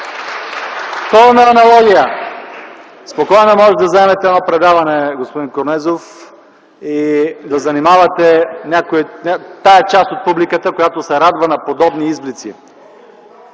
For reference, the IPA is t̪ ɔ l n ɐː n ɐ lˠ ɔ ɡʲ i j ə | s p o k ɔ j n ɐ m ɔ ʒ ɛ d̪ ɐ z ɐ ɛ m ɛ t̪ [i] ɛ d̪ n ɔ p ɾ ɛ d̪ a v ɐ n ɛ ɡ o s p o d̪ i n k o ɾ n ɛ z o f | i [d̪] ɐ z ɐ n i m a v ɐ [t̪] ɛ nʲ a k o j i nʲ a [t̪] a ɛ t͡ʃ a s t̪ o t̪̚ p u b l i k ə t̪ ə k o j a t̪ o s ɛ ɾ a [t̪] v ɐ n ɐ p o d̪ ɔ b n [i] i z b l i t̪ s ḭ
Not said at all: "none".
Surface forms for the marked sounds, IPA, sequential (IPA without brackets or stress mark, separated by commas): ɛ, d̪, t̪, t̪, d̪, i